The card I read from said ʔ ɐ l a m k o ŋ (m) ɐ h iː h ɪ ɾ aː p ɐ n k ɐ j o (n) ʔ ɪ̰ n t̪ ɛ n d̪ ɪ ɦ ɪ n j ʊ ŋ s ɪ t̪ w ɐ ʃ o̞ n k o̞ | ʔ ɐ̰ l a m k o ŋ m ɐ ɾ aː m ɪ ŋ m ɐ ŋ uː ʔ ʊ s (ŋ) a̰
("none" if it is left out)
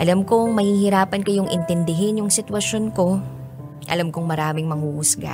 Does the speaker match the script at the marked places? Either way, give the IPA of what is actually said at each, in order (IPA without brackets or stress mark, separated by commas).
m, ŋ, ɡ